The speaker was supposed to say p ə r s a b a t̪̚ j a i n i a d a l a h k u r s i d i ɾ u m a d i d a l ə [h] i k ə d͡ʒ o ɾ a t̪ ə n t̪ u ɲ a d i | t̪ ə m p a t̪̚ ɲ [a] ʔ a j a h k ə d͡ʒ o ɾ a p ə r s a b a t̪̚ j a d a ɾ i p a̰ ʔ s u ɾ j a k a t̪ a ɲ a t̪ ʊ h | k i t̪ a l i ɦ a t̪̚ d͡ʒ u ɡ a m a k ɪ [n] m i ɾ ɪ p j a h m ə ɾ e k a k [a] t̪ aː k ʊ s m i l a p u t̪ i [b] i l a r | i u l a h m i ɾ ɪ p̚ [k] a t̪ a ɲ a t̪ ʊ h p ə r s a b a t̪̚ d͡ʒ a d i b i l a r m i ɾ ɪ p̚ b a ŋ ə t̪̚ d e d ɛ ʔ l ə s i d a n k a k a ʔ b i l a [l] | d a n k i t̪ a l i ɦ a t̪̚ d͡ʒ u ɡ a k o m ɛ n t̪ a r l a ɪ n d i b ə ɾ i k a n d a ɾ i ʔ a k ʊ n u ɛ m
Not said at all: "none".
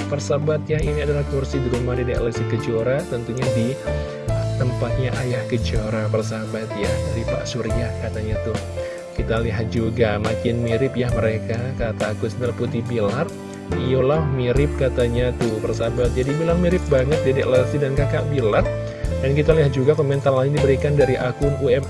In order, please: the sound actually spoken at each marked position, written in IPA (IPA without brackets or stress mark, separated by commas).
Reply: s, a, n, a, b, k, r